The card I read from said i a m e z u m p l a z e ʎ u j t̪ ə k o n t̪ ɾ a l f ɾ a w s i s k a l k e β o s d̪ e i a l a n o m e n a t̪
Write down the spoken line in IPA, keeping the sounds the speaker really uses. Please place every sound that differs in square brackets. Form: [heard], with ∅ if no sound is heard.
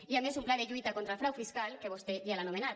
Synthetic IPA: i a m e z u m p l a [ð] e ʎ u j t̪ [a] k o n t̪ ɾ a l f ɾ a w [f] i s k a l k e β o s [t̪] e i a l a n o m e n a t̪